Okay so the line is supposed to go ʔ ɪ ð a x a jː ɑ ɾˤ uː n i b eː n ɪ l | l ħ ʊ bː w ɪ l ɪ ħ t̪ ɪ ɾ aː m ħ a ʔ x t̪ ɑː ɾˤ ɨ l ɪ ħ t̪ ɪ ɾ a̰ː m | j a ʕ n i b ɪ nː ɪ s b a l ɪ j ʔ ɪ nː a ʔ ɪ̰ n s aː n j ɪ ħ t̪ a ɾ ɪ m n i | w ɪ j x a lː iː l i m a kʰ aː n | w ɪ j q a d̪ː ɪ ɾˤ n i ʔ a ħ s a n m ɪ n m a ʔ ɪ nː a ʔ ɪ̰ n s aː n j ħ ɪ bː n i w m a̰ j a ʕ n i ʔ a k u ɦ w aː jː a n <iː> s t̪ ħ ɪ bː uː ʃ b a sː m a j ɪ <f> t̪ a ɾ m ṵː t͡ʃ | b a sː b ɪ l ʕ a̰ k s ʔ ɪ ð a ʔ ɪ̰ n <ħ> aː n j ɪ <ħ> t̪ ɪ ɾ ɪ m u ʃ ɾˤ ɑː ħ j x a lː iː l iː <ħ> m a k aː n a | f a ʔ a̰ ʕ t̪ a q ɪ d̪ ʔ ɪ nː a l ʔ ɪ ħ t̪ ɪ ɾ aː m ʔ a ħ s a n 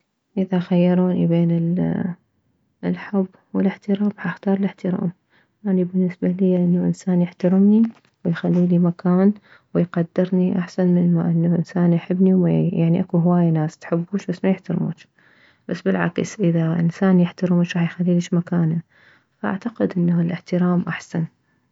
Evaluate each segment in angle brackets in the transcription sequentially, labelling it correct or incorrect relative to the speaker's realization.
incorrect: aː, incorrect: ħ, incorrect: s, correct, incorrect: ʃ

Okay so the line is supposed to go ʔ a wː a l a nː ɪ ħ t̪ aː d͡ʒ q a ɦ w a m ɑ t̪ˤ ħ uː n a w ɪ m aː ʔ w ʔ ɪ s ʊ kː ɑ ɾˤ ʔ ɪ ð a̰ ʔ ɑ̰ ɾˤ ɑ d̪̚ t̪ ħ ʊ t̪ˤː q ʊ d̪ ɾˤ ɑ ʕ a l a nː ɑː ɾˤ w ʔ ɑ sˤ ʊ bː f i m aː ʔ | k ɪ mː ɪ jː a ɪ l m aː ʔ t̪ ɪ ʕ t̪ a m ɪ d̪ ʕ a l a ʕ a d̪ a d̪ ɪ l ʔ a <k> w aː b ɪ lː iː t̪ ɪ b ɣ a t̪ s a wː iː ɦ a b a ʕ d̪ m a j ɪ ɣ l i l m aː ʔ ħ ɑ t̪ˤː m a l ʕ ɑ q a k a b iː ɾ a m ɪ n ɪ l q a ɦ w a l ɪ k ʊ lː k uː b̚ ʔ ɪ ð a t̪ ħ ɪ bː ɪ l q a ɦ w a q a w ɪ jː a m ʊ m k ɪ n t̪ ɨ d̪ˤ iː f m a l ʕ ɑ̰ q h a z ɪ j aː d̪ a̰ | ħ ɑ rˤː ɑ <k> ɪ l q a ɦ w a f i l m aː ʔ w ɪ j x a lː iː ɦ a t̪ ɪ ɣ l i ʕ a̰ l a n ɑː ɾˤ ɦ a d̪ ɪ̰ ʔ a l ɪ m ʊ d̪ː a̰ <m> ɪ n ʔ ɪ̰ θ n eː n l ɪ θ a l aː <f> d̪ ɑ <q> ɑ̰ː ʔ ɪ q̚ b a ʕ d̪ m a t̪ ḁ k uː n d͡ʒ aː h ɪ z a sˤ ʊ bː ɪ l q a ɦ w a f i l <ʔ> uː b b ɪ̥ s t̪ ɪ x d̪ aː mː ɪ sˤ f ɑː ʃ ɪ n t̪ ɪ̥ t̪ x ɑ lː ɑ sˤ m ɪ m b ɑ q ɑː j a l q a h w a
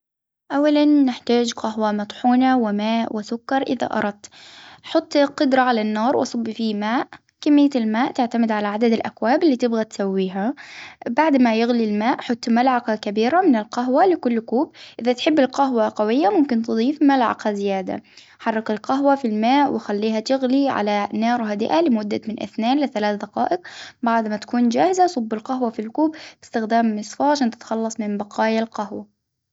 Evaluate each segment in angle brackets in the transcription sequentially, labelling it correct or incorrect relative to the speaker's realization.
correct, correct, correct, incorrect: θ, correct, incorrect: k

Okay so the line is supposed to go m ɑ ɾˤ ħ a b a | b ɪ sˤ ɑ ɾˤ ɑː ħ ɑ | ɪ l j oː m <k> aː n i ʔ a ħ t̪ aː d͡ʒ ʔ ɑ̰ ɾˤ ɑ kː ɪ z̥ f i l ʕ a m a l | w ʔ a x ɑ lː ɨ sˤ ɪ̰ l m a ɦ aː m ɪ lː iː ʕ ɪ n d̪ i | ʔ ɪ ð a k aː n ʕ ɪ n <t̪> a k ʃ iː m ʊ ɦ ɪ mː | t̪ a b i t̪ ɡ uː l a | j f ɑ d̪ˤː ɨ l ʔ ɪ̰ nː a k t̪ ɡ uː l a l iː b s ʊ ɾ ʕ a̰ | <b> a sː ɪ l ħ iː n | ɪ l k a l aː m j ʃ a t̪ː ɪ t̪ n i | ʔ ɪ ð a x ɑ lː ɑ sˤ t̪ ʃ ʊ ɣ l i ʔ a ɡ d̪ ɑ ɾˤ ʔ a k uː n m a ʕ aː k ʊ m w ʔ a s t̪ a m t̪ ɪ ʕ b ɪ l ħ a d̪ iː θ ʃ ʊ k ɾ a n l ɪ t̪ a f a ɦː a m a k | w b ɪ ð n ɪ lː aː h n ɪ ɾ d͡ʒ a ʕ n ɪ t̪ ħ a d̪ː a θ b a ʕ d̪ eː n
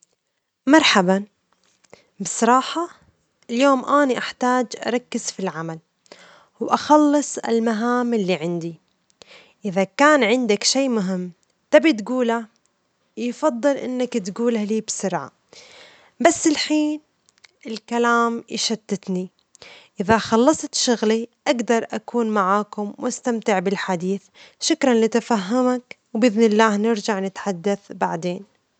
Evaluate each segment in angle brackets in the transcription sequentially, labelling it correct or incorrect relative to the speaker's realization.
incorrect: ʔ, incorrect: d̪, correct

